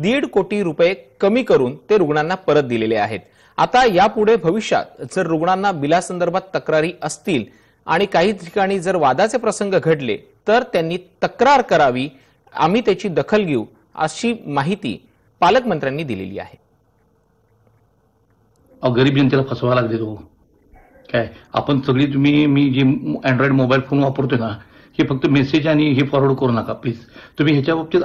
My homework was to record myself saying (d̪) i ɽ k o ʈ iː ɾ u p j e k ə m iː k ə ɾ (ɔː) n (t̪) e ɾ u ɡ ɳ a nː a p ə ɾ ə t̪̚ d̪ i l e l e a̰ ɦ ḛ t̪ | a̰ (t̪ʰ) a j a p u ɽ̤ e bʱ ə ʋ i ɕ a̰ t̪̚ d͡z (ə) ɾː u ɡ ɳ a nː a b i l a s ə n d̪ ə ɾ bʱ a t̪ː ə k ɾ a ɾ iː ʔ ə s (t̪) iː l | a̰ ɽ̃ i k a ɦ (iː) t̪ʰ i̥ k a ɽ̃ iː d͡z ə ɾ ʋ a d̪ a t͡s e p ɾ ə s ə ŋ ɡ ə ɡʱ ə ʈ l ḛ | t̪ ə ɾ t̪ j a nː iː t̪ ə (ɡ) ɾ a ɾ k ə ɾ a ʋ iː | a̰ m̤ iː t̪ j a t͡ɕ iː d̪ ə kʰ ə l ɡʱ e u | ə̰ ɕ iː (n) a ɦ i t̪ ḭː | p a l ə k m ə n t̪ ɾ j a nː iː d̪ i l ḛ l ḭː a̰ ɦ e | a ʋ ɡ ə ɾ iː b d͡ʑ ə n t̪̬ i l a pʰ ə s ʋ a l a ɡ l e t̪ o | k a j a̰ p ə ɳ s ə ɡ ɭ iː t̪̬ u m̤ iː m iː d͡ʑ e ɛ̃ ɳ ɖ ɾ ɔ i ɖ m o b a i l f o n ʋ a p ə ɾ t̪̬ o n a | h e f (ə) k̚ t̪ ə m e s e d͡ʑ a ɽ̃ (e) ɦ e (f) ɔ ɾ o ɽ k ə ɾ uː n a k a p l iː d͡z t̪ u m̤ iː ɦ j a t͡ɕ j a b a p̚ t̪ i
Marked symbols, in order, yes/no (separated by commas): yes, no, yes, no, yes, yes, yes, no, no, yes, no, yes